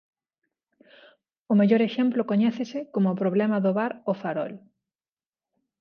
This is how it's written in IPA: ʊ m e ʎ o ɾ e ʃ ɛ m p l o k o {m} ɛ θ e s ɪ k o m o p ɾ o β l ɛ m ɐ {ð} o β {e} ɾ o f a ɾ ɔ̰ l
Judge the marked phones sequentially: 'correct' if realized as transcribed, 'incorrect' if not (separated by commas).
incorrect, correct, incorrect